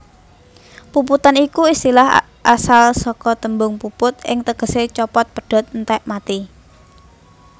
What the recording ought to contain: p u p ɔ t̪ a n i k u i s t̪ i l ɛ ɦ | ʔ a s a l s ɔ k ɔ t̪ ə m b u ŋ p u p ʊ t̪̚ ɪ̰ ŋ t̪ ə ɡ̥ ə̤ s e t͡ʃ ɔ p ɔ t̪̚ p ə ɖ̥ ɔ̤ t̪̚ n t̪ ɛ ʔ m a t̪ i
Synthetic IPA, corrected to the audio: p u p u t̪ a n i k u i s t̪ i l a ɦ | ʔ a s a l s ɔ k ɔ t̪ ə m b ʊ ŋ p u p ʊ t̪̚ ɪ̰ ŋ t̪ ə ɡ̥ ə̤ s e t͡ʃ ɔ p ɔ t̪̚ p ə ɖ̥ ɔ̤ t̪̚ n t̪ ɛ ʔ m a t̪ i